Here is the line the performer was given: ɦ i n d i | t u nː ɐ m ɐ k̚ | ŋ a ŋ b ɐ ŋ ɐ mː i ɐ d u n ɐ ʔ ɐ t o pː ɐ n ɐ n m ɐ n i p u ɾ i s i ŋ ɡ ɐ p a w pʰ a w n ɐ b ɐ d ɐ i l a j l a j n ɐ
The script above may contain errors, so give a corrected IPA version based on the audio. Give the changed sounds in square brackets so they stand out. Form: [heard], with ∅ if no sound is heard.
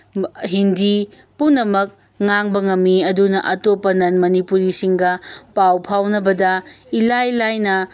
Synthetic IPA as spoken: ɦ i n d i | [p] u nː ɐ m ɐ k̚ | ŋ a ŋ b ɐ ŋ ɐ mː i ɐ d u n ɐ ʔ ɐ t o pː ɐ n ɐ n m ɐ n i p u ɾ i s i ŋ ɡ ɐ p a w pʰ a w n ɐ b ɐ d ɐ i l a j l a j n ɐ